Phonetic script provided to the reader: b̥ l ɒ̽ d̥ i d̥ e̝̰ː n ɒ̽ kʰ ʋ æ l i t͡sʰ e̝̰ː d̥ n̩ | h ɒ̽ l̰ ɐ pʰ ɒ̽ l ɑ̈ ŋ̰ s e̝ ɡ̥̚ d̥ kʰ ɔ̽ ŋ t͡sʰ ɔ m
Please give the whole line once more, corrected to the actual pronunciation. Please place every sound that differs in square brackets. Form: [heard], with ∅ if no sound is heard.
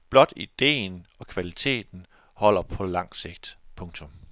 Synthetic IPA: b̥ l ɒ̽ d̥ i d̥ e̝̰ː n ɒ̽ kʰ ʋ æ l i t͡sʰ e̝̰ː d̥ n̩ | h ɒ̽ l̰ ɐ pʰ ɒ̽ l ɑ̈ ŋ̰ s e̝ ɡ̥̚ d̥ [pʰ] ɔ̽ ŋ t͡sʰ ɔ m